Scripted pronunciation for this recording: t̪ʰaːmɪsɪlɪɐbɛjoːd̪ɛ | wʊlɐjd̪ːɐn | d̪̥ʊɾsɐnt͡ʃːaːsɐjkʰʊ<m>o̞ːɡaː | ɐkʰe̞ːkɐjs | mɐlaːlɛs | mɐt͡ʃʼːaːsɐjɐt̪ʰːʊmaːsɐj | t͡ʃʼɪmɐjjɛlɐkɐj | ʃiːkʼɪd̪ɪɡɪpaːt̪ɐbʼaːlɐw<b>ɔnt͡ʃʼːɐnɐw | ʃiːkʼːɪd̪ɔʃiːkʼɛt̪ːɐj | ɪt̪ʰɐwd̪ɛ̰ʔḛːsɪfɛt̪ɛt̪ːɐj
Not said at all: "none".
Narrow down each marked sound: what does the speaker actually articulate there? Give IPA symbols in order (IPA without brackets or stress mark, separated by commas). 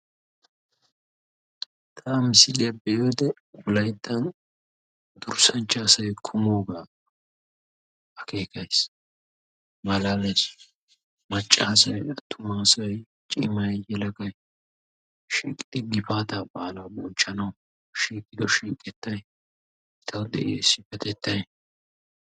m, b